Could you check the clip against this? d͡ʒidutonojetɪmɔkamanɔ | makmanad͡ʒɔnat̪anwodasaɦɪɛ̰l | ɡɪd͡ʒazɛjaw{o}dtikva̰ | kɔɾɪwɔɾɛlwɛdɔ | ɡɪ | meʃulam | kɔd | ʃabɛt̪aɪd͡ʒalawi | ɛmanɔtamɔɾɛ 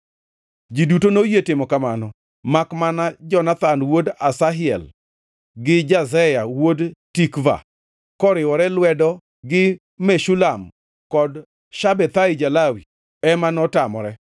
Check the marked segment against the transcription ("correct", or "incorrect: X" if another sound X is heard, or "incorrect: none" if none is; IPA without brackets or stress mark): correct